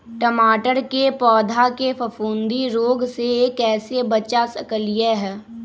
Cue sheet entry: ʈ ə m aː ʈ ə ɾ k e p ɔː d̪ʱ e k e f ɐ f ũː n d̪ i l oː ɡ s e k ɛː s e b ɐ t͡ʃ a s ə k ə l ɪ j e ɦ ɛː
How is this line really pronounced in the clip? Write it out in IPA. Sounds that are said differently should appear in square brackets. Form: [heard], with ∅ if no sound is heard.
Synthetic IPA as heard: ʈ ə m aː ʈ ə ɾ k e p ɔː d̪ʱ [a] k e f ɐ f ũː n d̪ i [ɾ] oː ɡ s e k ɛː s e b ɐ t͡ʃ a s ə k ə l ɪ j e ɦ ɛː